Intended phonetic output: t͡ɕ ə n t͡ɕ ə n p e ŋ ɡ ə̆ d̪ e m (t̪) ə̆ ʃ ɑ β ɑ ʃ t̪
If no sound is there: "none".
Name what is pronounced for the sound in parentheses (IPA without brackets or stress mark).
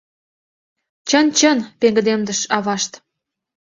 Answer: d̪